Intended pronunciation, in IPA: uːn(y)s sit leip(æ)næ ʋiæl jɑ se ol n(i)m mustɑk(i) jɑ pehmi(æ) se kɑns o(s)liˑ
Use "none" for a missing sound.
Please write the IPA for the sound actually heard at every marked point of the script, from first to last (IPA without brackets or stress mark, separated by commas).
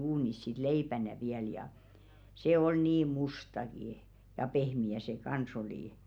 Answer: i, æ, iː, i, æ, none